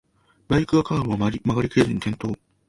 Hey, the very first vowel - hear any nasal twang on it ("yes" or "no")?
no